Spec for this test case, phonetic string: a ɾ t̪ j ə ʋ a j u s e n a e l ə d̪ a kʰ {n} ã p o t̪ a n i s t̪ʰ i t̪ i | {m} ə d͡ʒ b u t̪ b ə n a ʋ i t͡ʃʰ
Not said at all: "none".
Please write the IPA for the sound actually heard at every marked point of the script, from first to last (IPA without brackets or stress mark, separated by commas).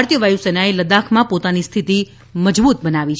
m, m